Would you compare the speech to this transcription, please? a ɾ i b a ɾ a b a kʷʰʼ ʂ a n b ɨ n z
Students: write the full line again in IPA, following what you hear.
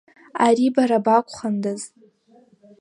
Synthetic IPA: a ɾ i b a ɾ a b a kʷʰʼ χ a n d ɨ z